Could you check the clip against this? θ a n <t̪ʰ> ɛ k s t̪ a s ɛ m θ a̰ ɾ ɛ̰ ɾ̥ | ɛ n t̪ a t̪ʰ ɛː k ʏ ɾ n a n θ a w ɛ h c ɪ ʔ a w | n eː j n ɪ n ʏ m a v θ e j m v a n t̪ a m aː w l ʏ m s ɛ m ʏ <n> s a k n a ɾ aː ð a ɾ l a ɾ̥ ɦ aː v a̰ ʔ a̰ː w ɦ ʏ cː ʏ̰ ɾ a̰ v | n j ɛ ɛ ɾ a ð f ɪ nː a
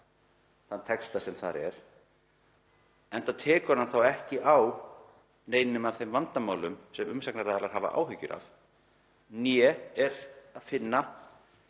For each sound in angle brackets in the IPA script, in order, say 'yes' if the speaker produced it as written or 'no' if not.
yes, no

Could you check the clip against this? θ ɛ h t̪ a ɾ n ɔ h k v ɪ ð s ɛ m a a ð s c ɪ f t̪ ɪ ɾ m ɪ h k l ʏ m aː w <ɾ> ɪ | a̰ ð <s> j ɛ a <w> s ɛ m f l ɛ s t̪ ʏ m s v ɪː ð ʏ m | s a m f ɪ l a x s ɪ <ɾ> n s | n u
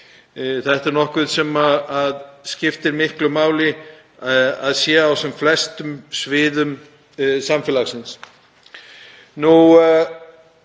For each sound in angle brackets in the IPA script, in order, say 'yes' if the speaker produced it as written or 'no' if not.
no, yes, yes, no

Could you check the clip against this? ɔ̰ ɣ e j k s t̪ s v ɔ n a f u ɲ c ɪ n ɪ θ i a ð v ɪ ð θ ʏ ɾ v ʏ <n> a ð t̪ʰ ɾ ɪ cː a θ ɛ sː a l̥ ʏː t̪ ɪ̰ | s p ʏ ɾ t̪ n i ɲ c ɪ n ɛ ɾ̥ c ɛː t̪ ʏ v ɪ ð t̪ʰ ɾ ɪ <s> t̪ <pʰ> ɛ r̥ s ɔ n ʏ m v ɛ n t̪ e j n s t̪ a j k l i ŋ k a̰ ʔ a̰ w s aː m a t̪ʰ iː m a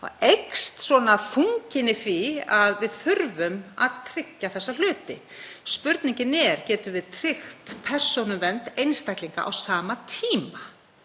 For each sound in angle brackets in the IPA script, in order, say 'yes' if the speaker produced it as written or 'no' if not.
no, no, yes

